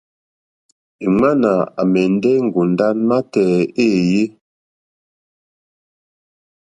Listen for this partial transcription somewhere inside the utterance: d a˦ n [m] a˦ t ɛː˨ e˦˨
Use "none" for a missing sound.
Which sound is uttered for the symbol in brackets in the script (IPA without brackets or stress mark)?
m